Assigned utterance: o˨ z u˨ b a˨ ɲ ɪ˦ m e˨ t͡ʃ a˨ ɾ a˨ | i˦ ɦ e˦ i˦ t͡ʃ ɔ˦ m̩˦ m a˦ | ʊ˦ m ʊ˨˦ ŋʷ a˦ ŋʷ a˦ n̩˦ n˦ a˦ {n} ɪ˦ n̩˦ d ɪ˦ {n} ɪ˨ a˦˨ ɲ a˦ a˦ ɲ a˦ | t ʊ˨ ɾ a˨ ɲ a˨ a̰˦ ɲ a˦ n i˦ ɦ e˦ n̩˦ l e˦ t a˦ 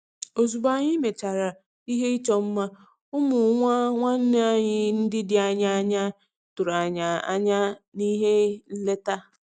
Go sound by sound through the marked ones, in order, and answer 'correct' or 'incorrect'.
incorrect: ɲ, incorrect: d

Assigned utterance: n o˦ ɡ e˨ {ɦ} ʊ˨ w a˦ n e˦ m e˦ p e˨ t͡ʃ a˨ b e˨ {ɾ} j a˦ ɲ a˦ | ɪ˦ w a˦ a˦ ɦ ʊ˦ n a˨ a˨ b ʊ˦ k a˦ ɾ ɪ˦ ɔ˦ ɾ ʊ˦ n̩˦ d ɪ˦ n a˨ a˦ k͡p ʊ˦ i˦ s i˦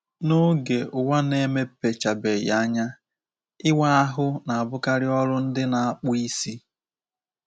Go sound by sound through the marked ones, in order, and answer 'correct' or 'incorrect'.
incorrect: none, incorrect: none

